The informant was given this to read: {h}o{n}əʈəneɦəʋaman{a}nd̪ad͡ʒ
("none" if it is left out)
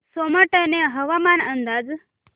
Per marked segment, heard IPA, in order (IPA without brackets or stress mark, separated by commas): s, m, ə